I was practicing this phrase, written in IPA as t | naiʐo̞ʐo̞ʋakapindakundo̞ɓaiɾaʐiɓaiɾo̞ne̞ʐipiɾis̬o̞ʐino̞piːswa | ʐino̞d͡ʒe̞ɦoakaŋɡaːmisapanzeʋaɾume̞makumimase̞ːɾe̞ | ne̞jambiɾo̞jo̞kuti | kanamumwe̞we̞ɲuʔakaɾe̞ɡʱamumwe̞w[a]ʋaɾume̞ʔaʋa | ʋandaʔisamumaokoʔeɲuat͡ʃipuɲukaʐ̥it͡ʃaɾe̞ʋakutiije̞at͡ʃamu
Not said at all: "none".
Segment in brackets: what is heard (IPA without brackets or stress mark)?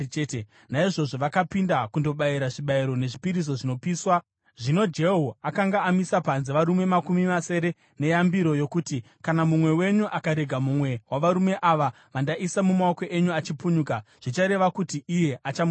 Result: a